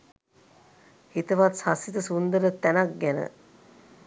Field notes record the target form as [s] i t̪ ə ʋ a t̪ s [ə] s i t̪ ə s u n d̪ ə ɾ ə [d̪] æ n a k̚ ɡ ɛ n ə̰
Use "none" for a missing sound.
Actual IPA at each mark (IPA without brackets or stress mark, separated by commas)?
h, a, t̪